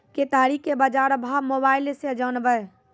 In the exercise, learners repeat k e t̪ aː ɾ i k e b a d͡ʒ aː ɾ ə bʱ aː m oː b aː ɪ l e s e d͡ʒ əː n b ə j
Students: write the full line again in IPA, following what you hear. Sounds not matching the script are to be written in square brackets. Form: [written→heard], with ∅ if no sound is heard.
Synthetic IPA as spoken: k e t̪ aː ɾ i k e b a d͡ʒ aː ɾ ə bʱ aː m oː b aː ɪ l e s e d͡ʒ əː n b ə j